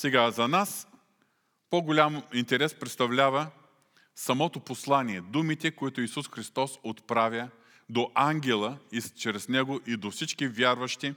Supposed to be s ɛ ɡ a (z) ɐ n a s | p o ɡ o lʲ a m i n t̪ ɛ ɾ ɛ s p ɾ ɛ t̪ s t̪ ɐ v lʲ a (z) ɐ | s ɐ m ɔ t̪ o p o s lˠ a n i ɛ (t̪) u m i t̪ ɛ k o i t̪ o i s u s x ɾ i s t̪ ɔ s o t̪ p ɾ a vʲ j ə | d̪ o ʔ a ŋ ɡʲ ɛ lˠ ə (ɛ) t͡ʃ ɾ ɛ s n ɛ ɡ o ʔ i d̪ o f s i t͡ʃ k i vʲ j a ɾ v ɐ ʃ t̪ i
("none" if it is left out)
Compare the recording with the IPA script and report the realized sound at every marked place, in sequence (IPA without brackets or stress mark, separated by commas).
z, v, d̪, i